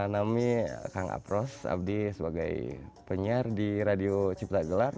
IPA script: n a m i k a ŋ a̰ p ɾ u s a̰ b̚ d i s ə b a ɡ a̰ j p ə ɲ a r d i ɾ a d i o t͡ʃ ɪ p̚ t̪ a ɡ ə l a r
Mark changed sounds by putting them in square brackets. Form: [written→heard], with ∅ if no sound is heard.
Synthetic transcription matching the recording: n a m i k a ŋ a̰ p ɾ [u→ɔ] s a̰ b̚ d i s ə b a ɡ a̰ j p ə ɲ a r d i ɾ a d i o t͡ʃ [ɪ→i] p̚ t̪ a ɡ ə l a r

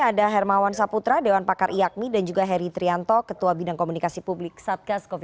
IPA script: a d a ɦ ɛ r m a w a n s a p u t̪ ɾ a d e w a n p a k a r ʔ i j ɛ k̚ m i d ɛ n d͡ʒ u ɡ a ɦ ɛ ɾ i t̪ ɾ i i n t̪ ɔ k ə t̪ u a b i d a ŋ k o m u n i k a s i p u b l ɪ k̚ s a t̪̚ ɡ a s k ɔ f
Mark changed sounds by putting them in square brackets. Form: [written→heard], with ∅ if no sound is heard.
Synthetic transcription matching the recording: a d a ɦ ɛ r m a w a n s a p u t̪ ɾ a d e w a n p a k a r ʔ i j [ɛ→a] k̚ m i d [ɛ→a] n d͡ʒ u ɡ a ɦ ɛ ɾ i t̪ ɾ i [i→a] n t̪ ɔ k ə t̪ u a b i d a ŋ k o m u n i k a s i p u b l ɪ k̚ s a t̪̚ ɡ a s k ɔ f

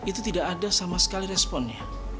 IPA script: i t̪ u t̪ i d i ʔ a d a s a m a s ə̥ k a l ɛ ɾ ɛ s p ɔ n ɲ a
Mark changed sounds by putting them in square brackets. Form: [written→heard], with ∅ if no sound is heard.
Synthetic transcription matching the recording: i t̪ u t̪ i d [i→a] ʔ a d a s a m a s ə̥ k a l [ɛ→i] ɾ ɛ s p ɔ n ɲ a

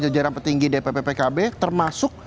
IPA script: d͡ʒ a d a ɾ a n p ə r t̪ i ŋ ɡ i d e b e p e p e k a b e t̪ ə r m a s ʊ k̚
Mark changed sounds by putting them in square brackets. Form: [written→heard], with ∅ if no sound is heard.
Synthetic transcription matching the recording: d͡ʒ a [d→d͡ʒ] a ɾ a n p ə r t̪ i ŋ ɡ i d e [b→p] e p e p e k a b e t̪ ə r m a s ʊ k̚

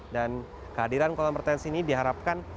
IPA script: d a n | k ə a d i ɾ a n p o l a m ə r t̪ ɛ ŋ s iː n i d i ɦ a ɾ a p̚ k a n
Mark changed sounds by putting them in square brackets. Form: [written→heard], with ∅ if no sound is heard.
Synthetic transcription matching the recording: d a n | k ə a d i ɾ a n [p→k] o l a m ə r t̪ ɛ [ŋ→n] s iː n i d i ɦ a ɾ a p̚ k a n

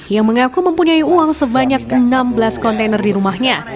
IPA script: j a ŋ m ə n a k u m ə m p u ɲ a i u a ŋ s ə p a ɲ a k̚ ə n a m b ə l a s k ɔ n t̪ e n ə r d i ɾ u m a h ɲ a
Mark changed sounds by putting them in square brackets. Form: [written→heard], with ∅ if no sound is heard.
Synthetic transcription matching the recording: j a ŋ m ə [n→ŋ] a k u m ə m p u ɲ a i u a ŋ s ə [p→b] a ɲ a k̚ ə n a m b ə l a s k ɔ n t̪ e n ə r d i ɾ u m a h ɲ a

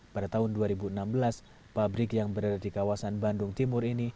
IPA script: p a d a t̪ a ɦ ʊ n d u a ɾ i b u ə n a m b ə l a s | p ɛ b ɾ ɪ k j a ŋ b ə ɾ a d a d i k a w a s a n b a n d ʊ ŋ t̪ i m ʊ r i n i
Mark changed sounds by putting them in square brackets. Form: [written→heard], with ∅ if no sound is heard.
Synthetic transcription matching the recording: p a d a t̪ a ɦ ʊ n d u a ɾ i b u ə n a m b ə l a s | p [ɛ→a] b ɾ ɪ k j a ŋ b ə ɾ a d a d i k a w a s a n b a n d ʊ ŋ t̪ i m ʊ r i n i

